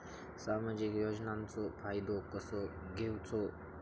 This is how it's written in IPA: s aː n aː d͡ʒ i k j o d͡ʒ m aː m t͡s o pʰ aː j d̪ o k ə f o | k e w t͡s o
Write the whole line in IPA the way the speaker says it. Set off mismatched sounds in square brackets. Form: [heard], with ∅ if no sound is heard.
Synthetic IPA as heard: s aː [m] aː d͡ʒ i k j o d͡ʒ [n] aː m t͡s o pʰ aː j d̪ o k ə [s] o | [ɡ] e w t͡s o